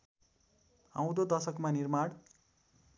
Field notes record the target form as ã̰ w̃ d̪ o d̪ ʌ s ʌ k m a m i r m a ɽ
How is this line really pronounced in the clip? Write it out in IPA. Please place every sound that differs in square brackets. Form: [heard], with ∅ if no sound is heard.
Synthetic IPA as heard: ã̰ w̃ d̪ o d̪ ʌ s ʌ k m a [n] i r m a ɽ